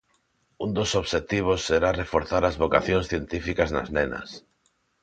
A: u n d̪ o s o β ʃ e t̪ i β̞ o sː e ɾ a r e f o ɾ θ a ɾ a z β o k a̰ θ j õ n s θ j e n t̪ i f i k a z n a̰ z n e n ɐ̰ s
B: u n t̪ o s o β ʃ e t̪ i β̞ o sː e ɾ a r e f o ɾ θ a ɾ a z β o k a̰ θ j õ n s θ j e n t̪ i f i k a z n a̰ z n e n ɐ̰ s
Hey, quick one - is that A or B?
A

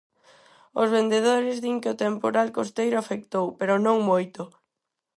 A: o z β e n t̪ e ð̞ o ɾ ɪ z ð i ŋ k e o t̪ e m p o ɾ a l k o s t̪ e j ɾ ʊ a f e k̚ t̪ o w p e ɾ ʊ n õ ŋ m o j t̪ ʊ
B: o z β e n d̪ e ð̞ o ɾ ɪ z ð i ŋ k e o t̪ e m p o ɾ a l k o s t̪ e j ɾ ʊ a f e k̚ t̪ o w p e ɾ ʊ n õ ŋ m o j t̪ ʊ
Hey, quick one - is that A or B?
B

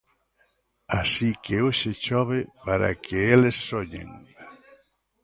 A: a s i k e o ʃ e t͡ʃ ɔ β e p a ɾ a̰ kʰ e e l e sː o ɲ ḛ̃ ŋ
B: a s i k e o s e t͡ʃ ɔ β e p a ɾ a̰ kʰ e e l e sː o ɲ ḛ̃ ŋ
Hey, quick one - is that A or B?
A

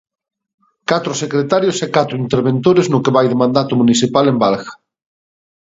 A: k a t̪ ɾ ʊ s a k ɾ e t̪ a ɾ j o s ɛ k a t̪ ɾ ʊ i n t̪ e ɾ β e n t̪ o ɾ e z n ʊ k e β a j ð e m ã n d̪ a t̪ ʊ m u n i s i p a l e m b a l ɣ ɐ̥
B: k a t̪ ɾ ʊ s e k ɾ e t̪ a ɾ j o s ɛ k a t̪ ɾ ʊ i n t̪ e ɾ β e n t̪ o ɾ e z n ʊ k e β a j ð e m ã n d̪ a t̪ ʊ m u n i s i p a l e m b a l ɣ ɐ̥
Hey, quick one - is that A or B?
B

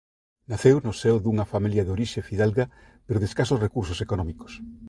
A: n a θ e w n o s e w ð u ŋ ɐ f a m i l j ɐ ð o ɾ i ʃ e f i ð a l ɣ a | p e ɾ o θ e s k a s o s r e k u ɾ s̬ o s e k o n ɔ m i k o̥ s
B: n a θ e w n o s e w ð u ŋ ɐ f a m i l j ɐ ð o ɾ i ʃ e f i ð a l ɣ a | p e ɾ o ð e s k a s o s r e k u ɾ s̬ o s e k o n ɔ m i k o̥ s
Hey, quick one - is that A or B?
B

